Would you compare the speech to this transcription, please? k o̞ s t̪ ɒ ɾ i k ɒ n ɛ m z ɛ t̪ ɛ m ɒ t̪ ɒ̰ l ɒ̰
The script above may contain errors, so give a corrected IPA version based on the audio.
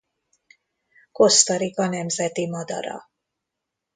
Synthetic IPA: k o̞ s t̪ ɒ ɾ i k ɒ n ɛ m z ɛ t̪ i m ɒ d̪ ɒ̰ ɾ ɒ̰

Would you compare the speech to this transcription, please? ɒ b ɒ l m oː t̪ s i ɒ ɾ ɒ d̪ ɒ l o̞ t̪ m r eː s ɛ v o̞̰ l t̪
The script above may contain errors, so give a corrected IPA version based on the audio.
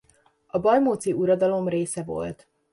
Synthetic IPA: ɒ b ɒ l m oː t̪ s i u ɾ ɒ d̪ ɒ l o̞ m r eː s ɛ v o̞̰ l t̪

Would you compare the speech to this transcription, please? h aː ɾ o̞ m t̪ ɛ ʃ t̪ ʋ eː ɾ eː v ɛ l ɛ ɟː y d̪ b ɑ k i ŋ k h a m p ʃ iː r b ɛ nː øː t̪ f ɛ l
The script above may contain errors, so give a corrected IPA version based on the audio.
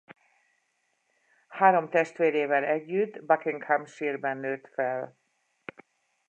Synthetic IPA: h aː ɾ o̞ m t̪ ɛ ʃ t̪ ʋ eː ɾ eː v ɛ l ɛ ɟː y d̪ b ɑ k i ŋ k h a m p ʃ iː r b ɛ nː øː t̪ f ɛ l

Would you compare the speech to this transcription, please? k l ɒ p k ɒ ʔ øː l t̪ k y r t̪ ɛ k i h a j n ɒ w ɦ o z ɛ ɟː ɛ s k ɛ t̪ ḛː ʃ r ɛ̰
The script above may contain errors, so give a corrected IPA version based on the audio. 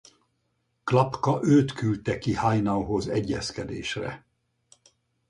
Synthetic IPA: k l ɒ p k ɒ ʔ øː t̪ k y l t̪ ɛ k i h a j n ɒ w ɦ o z ɛ ɟː ɛ s k ɛ d̪ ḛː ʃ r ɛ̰

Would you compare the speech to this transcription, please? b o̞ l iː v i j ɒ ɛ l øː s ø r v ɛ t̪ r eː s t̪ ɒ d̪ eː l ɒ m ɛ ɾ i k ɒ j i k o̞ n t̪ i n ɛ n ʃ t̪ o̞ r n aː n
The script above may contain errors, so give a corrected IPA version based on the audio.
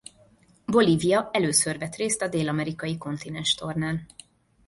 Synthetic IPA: b o̞ l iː v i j ɒ ɛ l øː s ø r v ɛ t̪ r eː s t̪ ɒ d̪ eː l ɒ m ɛ ɾ i k ɒ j i k o̞ n t̪ i n ɛ n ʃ t̪ o̞ r n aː n

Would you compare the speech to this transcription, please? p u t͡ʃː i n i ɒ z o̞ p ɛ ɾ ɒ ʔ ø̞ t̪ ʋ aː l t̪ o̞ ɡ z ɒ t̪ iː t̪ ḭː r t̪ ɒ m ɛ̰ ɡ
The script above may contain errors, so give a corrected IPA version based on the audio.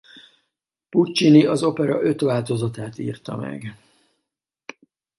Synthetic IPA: p u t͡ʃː i n i ɒ z o̞ p ɛ ɾ ɒ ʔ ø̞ t̪ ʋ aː l t̪ o̞ z ɒ t̪ aː t̪ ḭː r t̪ ɒ m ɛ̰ ɡ

